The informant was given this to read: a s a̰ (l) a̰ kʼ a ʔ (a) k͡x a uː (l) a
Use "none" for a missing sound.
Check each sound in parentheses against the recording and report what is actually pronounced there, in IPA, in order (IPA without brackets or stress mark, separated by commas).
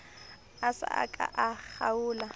none, a, l